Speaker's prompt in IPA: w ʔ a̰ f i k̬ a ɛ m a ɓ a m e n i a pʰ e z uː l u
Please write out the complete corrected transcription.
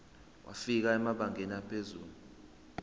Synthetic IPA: w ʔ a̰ f i k̬ a ɛ m a ɓ a ŋ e n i a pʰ e z uː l u